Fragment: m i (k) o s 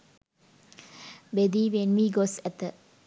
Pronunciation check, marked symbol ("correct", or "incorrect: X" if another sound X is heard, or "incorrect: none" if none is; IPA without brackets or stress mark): incorrect: ɡ